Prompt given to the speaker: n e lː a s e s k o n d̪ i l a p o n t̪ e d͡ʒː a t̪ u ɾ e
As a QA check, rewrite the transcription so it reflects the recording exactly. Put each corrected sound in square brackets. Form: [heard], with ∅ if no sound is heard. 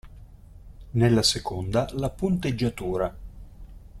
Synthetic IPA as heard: n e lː a s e [∅] k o n d̪ [a] l a p [u] n t̪ e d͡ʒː a t̪ [uː] ɾ [a]